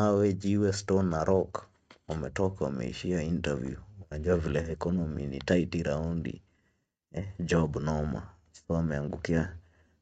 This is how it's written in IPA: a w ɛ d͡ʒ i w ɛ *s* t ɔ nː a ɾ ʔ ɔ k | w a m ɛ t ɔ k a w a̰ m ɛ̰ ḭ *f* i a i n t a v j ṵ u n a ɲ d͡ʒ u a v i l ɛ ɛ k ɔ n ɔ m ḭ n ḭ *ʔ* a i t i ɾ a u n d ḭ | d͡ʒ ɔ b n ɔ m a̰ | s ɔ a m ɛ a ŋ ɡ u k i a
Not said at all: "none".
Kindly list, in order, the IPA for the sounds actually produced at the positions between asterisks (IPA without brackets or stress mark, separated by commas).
s, ʃ, t